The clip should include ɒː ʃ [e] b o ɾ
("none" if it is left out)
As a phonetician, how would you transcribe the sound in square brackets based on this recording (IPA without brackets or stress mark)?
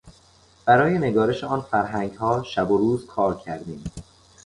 æ